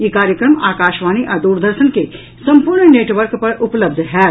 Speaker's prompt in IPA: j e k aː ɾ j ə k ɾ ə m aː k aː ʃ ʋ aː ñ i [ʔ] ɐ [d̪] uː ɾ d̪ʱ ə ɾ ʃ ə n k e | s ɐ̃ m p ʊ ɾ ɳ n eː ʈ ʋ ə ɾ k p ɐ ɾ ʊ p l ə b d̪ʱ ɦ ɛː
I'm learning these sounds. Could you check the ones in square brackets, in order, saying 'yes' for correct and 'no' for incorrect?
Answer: yes, yes

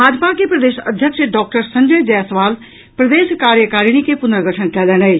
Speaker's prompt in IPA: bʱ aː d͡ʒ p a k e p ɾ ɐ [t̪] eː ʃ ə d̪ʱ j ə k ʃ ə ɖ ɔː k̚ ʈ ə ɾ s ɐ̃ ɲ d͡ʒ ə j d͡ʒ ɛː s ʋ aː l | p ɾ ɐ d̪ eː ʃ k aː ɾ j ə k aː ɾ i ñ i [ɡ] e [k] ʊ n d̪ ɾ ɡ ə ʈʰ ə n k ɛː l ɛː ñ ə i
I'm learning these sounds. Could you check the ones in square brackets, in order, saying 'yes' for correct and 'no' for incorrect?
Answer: no, no, no

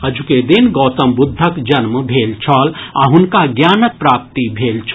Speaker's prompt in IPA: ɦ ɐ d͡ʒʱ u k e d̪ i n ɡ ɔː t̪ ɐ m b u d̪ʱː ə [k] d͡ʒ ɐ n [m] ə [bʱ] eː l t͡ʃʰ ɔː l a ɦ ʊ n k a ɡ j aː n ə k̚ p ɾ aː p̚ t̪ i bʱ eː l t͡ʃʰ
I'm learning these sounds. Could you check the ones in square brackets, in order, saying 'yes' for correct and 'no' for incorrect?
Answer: yes, yes, yes

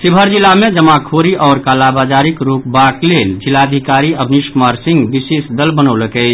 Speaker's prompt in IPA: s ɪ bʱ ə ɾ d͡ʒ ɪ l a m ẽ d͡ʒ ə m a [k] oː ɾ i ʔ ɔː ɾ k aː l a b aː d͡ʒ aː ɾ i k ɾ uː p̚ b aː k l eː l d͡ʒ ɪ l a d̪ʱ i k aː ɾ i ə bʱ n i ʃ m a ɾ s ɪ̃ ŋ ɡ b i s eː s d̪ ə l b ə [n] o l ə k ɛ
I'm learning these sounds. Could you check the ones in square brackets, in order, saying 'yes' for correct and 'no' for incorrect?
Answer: no, yes

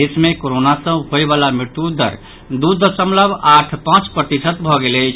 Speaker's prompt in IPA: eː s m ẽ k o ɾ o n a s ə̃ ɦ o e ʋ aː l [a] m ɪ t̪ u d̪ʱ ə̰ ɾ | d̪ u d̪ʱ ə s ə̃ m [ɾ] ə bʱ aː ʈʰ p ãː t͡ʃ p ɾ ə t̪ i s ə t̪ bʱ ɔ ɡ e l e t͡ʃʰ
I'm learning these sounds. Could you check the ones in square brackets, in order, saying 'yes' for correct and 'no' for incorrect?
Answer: yes, no

